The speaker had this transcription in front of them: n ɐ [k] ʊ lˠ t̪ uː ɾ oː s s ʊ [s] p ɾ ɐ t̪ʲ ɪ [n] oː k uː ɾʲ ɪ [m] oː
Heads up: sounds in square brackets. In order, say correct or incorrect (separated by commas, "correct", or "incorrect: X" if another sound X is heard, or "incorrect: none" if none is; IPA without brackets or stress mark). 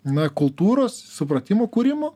correct, incorrect: none, incorrect: m, correct